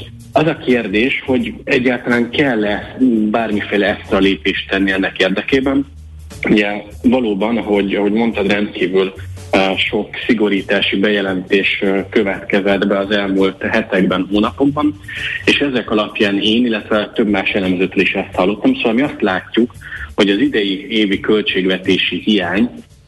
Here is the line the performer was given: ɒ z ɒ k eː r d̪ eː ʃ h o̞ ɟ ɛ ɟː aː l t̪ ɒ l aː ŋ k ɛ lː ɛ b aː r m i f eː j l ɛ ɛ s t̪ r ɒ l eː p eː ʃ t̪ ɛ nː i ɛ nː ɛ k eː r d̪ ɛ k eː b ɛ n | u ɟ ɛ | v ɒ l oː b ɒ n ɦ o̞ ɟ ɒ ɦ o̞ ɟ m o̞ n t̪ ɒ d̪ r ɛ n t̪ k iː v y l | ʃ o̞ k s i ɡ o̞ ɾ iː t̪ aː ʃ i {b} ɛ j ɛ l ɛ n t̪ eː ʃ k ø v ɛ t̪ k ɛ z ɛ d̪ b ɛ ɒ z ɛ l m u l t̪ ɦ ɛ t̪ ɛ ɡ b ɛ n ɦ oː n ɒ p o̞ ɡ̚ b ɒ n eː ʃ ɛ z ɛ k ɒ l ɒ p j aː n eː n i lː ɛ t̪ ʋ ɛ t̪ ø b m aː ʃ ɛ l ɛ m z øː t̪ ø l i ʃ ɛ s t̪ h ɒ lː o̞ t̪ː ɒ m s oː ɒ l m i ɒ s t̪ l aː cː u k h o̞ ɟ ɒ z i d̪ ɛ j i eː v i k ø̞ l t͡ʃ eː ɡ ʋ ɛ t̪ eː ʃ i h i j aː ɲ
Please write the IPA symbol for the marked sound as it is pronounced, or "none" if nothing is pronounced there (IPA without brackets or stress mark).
b